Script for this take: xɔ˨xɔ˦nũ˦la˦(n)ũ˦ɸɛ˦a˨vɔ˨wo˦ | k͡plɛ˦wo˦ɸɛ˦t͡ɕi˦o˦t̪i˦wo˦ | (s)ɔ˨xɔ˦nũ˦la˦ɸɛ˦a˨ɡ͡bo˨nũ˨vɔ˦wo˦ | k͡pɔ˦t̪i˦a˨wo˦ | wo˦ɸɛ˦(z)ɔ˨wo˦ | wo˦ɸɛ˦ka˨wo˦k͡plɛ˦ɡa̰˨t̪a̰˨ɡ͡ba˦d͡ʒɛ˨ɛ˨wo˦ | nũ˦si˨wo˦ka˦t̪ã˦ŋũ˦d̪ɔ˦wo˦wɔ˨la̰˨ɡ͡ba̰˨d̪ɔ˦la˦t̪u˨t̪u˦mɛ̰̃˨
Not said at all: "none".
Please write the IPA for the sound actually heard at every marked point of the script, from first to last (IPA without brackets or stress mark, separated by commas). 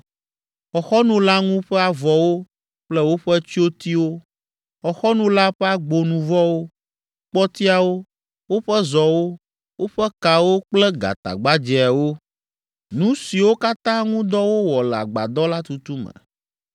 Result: ŋ, x, z